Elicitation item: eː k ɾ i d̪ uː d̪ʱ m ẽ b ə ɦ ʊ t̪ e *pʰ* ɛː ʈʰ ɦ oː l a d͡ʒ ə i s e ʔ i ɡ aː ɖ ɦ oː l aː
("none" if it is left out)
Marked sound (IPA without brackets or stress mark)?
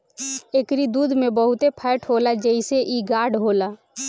pʰ